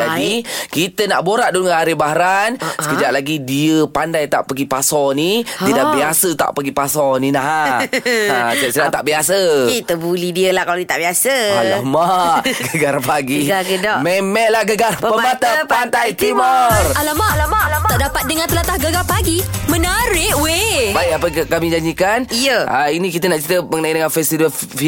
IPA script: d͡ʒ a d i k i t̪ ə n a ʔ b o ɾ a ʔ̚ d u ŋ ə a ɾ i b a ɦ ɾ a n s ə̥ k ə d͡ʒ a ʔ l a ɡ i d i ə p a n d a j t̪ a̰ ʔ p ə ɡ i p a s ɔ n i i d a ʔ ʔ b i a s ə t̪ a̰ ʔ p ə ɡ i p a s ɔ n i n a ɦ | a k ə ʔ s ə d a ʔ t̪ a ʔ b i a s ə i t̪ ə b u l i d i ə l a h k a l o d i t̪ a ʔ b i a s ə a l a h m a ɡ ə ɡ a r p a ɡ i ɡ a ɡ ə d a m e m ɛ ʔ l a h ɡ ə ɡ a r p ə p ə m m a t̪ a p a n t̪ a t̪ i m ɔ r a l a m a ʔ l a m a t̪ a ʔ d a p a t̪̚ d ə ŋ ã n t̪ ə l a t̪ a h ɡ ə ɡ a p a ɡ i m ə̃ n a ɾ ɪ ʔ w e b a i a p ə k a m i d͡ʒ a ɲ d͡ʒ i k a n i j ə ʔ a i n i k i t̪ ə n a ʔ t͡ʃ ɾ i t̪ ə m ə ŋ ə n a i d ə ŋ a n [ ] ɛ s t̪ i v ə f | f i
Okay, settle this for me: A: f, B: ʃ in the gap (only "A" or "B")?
A